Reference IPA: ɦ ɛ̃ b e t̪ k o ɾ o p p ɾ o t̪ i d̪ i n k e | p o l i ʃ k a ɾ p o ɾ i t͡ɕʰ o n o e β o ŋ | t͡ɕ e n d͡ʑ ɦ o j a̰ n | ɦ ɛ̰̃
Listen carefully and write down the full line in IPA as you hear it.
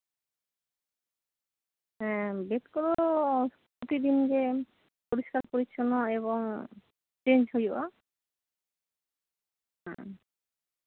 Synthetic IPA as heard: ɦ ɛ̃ b e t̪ k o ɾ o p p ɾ o t̪ i d̪ i n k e | p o ɾ i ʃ k a ɾ p o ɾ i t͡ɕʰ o n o e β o ŋ | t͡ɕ e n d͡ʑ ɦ o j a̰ | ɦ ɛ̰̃